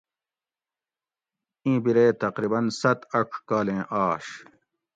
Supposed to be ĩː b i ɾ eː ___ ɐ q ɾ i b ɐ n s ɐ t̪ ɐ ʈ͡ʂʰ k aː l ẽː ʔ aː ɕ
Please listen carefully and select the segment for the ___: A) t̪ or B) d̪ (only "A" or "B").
A